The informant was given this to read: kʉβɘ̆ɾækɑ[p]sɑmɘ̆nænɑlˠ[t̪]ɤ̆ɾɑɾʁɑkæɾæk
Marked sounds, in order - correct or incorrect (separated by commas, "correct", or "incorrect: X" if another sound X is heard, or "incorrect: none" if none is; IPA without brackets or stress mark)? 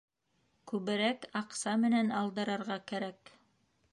incorrect: q, incorrect: d̪